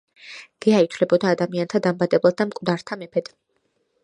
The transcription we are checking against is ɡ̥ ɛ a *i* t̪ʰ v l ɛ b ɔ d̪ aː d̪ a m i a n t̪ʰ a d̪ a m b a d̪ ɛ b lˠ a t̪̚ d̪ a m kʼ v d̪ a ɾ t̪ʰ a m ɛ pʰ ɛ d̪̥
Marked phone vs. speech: correct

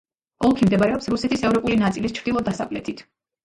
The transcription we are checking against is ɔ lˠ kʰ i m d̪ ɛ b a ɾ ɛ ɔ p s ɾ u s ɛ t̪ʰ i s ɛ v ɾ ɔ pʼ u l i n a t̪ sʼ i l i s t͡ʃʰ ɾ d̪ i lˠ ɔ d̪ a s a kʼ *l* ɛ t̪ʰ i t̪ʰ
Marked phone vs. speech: correct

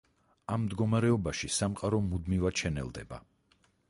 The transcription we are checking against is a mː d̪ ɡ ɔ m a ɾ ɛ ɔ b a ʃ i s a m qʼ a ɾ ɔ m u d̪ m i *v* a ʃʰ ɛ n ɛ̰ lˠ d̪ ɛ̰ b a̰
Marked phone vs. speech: correct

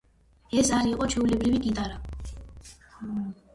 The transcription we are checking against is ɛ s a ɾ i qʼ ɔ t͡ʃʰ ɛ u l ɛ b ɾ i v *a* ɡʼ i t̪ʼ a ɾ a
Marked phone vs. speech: incorrect: i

